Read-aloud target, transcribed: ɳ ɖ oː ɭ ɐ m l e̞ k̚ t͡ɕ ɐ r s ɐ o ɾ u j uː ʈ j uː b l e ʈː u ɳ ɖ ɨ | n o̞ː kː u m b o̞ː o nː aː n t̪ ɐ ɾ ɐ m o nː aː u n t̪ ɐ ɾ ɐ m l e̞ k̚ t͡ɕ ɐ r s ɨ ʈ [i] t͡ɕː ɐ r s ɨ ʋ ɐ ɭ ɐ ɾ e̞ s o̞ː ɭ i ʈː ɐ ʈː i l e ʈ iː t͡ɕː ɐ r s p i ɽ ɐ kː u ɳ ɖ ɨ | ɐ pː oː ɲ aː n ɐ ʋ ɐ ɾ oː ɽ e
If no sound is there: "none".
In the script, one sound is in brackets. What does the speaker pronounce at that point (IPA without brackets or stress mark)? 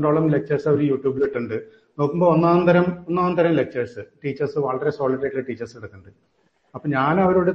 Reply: iː